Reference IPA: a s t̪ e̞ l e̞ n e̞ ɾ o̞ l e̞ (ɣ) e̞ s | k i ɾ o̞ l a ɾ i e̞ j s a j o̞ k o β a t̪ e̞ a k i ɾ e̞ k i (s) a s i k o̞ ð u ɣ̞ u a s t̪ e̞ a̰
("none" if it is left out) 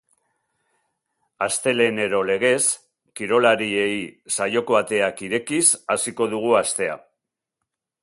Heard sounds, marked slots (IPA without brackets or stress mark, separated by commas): ɣ, s